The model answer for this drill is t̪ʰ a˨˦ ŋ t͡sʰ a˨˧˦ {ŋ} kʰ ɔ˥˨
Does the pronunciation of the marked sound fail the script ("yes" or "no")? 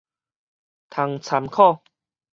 yes